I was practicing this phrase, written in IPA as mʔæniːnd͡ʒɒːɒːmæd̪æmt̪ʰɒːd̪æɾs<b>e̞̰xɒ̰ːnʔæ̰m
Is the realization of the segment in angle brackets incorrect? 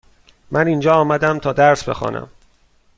no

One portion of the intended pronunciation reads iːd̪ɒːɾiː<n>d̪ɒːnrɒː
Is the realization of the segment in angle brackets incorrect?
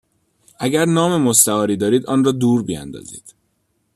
yes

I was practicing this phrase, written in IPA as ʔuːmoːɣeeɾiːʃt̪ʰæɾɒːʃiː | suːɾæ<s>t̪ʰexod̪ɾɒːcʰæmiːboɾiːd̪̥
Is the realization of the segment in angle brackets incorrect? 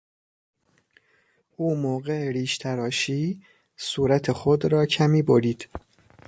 yes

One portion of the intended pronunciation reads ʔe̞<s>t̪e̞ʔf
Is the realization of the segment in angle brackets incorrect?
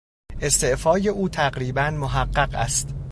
no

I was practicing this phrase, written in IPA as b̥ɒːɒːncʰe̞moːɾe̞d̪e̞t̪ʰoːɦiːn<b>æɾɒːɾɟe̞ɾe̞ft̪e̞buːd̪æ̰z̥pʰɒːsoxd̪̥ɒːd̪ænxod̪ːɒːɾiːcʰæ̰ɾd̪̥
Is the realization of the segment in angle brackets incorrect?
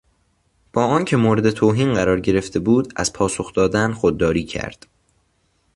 yes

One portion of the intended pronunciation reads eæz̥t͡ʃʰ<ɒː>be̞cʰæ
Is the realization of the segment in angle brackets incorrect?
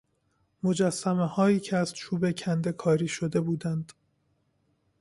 yes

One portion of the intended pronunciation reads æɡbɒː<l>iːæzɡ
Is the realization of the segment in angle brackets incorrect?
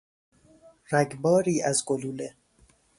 yes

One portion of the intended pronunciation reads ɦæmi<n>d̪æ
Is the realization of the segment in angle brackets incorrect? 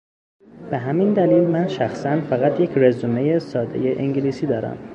no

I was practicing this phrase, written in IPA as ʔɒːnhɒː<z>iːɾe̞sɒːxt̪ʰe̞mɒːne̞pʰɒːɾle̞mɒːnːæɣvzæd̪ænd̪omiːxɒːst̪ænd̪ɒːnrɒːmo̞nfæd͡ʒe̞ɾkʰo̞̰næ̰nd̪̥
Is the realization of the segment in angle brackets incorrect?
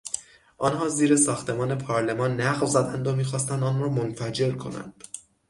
no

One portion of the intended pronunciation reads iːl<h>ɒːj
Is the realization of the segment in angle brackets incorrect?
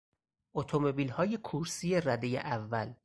no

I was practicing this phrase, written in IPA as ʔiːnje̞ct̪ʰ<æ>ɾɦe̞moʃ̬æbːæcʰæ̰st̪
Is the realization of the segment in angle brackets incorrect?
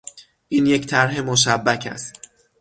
no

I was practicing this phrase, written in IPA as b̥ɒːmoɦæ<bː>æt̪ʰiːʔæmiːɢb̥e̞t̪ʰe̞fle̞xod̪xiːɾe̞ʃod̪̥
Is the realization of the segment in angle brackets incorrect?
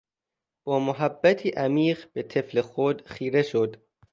no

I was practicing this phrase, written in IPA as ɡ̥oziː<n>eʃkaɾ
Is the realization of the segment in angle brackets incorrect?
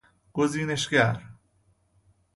no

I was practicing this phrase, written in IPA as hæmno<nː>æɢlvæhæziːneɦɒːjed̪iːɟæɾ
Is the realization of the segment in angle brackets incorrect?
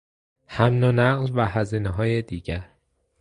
yes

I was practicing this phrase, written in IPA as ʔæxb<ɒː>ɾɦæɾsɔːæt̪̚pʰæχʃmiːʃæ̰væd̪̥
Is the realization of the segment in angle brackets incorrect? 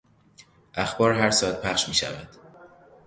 no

